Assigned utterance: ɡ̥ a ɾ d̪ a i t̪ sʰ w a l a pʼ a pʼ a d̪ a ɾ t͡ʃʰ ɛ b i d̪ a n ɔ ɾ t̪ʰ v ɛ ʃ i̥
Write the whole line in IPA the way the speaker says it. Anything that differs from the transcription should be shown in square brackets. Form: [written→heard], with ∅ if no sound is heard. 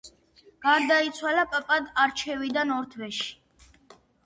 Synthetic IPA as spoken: ɡ̥ a ɾ d̪ a i t̪ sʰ w a l a pʼ a pʼ a d̪ a ɾ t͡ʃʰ ɛ [b→v] i d̪ a n ɔ ɾ t̪ʰ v ɛ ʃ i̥